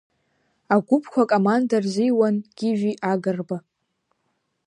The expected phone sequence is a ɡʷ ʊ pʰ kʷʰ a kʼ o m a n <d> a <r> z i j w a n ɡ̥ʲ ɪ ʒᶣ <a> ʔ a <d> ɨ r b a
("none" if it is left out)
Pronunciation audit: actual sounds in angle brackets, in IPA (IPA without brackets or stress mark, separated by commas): d, r, i, ɡ